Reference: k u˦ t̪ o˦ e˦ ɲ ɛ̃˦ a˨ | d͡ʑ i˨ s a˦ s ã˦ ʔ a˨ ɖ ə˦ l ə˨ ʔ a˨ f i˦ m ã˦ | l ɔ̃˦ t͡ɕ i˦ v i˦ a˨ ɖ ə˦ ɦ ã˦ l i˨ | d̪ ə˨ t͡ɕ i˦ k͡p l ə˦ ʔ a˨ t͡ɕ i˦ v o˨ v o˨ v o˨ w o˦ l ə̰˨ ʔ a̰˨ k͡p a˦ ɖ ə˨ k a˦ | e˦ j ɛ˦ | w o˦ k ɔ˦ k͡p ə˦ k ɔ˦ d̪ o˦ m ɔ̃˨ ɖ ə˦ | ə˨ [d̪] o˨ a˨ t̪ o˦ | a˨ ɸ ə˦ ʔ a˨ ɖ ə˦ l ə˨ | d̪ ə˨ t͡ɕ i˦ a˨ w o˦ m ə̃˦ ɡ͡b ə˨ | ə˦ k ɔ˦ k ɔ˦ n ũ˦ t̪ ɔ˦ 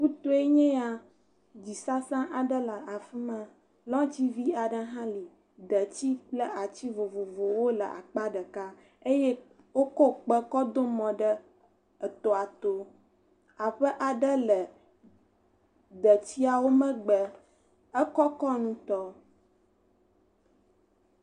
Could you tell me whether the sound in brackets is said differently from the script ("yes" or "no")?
yes